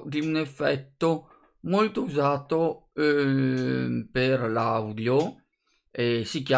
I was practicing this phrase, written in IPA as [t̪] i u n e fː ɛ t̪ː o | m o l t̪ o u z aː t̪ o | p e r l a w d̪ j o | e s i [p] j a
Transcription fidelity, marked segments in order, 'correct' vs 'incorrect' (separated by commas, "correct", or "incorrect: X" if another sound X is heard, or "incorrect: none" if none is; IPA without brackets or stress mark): incorrect: d̪, incorrect: k